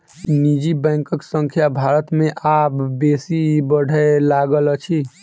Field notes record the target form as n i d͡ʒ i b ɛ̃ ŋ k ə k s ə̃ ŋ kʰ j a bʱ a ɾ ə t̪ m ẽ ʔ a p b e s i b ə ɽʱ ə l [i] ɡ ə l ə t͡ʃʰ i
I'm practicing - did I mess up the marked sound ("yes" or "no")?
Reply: yes